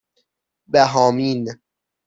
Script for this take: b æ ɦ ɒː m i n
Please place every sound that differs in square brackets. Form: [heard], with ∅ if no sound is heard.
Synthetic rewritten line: b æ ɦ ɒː m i n